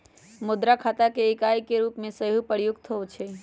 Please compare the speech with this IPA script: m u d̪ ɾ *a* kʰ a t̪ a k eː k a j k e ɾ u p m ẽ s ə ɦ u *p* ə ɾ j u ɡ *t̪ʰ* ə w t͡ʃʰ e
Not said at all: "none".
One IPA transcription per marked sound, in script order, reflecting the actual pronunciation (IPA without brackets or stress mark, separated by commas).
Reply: a, p, t̪ʰ